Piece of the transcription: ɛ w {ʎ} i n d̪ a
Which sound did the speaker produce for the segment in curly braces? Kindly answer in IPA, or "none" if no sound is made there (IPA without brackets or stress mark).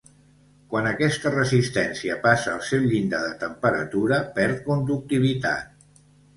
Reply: ʎ